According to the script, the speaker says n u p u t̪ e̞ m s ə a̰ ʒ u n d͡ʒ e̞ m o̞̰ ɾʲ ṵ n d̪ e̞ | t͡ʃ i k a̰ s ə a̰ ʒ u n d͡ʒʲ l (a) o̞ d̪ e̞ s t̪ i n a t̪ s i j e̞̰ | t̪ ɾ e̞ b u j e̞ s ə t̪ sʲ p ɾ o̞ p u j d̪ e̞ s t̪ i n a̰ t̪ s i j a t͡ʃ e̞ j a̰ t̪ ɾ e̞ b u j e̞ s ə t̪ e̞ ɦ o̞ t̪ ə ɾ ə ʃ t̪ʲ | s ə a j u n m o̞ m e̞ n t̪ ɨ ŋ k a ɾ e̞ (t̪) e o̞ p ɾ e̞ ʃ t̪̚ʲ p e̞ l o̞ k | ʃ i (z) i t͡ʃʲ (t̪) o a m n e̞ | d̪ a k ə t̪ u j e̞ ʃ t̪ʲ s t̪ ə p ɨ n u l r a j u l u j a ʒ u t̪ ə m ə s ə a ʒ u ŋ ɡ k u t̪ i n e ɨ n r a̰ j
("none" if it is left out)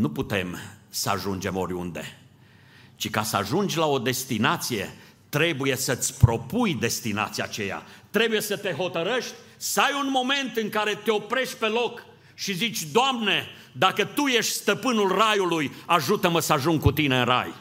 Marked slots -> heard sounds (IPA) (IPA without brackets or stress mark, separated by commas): a, t̪, z, d̪